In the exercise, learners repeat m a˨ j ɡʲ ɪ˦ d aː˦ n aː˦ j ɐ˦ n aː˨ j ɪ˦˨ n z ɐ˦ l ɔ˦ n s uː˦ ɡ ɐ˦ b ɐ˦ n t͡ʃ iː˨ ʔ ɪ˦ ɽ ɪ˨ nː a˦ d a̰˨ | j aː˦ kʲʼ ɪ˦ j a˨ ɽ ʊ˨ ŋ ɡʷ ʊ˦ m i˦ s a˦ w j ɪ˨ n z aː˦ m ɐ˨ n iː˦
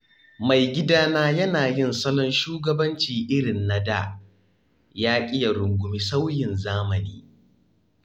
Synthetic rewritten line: m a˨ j ɡʲ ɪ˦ d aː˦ n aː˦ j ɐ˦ n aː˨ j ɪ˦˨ n s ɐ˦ l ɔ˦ n ʃ uː˦ ɡ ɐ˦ b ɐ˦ n t͡ʃ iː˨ ʔ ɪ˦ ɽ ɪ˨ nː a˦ d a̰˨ | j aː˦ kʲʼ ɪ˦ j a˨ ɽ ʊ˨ ŋ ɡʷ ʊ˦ m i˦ s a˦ w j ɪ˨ n z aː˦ m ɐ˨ n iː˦